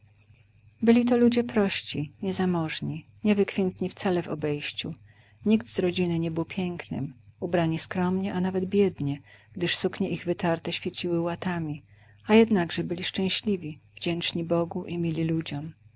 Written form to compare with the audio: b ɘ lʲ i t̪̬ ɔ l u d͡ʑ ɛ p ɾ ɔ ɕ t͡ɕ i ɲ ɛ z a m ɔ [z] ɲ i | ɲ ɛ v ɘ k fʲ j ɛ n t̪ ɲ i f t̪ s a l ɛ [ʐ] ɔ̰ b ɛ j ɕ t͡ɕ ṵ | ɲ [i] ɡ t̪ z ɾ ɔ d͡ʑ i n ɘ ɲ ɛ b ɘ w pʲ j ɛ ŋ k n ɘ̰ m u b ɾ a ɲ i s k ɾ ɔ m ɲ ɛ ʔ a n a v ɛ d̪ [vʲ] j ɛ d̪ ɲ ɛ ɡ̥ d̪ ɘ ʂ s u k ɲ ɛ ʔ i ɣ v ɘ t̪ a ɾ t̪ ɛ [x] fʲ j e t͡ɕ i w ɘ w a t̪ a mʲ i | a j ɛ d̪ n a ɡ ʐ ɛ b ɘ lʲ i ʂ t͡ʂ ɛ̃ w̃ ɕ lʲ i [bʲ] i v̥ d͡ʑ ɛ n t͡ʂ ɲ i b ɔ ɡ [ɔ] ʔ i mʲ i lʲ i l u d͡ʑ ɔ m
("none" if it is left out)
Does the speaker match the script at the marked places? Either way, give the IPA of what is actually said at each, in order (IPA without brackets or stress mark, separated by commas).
ʐ, v, i, bʲ, ɕ, vʲ, u